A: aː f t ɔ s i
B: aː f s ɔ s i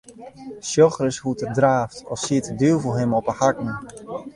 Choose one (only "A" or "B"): A